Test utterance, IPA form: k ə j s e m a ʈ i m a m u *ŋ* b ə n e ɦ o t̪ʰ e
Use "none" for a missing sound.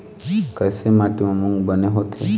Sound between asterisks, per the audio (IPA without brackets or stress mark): ŋ